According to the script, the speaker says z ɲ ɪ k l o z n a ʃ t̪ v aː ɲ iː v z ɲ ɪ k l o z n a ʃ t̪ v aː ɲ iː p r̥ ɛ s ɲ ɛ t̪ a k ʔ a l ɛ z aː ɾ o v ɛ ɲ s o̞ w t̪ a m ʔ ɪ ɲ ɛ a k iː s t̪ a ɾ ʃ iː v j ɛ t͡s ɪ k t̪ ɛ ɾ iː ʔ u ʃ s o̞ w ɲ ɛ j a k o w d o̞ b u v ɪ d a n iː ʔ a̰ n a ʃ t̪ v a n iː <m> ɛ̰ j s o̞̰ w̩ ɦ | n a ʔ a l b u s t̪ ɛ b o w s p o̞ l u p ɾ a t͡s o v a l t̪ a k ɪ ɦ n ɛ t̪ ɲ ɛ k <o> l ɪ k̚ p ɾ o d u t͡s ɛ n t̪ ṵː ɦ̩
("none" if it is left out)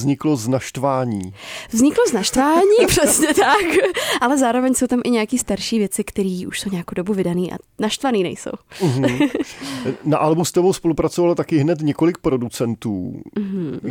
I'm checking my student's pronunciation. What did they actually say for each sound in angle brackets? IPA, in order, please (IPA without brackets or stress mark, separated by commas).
n, o